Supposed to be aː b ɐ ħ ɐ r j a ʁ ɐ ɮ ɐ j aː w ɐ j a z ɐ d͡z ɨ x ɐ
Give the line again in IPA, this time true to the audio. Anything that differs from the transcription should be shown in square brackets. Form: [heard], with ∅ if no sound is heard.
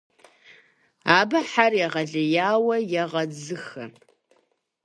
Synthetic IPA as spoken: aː b ɐ ħ [a] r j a ʁ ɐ ɮ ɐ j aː w ɐ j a [ʁ] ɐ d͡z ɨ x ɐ